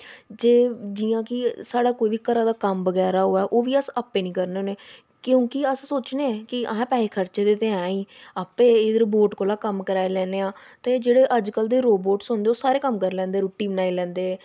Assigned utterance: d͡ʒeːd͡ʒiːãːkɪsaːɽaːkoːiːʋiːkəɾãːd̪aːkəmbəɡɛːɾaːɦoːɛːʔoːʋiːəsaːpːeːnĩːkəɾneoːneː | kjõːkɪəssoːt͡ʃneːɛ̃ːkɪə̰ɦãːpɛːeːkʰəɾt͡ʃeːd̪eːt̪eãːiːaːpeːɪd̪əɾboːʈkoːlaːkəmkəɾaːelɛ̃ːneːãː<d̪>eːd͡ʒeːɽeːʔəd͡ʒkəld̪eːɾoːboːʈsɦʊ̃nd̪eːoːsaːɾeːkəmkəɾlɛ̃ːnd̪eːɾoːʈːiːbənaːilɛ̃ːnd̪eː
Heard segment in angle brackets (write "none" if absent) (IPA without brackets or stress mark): t̪